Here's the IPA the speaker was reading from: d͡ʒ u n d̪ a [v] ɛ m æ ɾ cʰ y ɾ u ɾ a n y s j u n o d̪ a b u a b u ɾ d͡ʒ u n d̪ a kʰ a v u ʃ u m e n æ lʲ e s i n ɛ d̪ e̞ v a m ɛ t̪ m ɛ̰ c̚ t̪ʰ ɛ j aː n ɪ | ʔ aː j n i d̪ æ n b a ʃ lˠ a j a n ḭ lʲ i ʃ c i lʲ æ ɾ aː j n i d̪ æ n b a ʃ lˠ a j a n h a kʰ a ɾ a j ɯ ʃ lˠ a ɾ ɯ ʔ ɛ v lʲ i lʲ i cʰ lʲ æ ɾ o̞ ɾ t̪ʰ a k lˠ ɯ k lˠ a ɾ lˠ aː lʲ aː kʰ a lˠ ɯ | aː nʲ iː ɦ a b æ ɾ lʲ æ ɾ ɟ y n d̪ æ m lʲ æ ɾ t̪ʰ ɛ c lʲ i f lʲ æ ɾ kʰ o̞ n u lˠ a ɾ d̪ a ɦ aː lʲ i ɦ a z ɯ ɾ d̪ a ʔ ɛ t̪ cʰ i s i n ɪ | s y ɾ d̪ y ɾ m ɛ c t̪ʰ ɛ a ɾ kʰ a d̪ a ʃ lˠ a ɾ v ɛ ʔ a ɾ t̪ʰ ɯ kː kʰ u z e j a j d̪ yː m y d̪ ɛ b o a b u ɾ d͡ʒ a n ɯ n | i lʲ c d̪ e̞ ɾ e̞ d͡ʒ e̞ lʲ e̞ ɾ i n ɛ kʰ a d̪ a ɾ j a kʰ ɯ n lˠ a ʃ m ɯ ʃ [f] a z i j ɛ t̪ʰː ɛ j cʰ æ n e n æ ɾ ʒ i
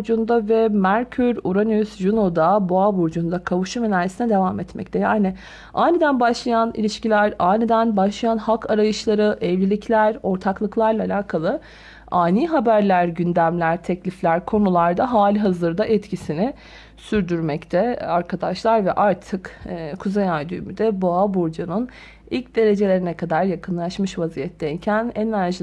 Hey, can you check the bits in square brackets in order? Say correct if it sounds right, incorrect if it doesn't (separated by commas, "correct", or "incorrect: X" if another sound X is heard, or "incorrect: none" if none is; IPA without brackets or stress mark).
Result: correct, incorrect: v